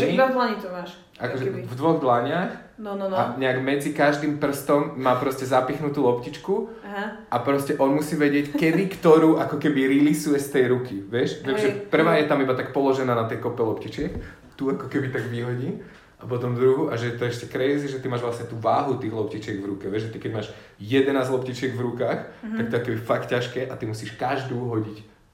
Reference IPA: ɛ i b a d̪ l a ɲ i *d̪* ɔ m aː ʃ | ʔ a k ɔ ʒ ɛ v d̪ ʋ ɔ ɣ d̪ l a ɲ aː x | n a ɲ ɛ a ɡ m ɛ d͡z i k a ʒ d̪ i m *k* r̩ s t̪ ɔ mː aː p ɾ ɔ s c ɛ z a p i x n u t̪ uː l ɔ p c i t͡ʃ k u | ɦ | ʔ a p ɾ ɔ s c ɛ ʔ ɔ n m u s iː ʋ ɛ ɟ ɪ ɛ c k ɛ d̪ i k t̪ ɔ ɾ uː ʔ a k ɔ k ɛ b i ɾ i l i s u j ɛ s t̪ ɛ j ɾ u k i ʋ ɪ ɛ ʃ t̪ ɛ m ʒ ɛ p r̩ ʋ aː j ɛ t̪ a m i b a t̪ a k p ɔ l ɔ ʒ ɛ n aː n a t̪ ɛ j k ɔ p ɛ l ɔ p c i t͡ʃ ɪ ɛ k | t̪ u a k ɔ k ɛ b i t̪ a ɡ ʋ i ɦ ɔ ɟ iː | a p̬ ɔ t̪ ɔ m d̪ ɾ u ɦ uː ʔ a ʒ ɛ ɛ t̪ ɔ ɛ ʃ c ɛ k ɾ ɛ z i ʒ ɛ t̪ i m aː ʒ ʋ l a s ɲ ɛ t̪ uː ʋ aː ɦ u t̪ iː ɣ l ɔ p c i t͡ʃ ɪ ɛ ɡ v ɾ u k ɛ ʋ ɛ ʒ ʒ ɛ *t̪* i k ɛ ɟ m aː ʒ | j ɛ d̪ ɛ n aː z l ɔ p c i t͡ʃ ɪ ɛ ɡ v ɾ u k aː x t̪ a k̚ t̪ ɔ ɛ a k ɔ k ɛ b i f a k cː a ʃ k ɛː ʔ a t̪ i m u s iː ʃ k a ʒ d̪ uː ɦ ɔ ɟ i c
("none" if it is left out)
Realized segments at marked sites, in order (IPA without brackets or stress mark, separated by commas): t̪, p, t̪